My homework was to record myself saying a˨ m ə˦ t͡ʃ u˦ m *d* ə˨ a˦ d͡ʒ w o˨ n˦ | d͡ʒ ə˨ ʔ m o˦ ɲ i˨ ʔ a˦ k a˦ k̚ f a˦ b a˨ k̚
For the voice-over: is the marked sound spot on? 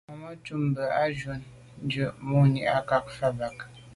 no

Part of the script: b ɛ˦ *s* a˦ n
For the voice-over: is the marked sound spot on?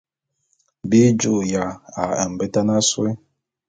no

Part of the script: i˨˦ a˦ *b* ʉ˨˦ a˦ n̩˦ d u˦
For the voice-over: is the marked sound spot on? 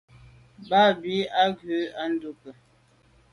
no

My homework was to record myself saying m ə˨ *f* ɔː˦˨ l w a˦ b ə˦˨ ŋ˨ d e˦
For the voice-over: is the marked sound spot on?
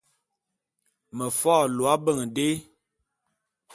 yes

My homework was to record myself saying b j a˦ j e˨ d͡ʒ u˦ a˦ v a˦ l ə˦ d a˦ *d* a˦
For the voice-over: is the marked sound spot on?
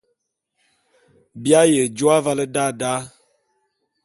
yes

